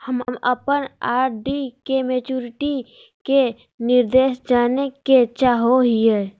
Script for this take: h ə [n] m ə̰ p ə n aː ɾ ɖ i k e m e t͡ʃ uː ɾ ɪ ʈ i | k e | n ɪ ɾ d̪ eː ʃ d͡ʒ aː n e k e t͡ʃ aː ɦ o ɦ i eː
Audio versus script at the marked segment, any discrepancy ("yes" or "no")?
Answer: yes